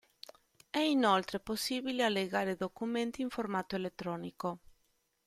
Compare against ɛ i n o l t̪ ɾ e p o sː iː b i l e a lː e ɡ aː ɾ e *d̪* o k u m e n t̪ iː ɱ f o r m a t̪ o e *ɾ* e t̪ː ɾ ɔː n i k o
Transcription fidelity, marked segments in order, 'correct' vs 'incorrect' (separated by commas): correct, incorrect